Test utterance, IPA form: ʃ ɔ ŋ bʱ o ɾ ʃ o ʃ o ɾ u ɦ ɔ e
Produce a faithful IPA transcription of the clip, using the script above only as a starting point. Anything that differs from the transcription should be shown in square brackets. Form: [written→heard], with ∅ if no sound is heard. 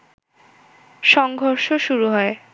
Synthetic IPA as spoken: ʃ ɔ ŋ [bʱ→ɡʱ] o ɾ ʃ o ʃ [o→u] ɾ u ɦ ɔ e